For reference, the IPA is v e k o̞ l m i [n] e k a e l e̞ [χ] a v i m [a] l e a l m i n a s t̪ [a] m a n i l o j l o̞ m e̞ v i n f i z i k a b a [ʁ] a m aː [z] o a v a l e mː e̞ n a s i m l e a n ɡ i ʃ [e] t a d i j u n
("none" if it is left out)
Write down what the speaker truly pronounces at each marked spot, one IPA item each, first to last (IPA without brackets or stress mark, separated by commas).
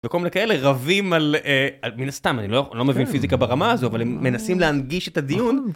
n, ʁ, a, a, ʁ, z, e